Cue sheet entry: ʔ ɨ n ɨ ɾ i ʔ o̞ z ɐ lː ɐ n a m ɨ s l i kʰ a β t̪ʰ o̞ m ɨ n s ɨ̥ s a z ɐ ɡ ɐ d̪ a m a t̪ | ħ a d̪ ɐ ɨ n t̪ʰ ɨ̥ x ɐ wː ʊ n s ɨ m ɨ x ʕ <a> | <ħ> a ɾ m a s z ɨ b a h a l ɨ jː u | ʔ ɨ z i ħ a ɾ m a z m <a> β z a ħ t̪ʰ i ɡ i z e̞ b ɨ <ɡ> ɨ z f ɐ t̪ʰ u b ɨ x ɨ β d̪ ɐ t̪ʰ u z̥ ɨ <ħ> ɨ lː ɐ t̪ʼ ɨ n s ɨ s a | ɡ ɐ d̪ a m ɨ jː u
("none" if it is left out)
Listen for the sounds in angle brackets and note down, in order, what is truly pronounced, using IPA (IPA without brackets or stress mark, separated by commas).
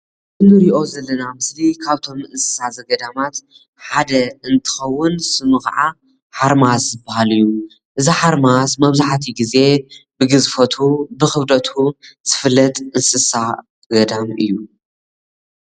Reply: a, ħ, ɐ, ɡ, f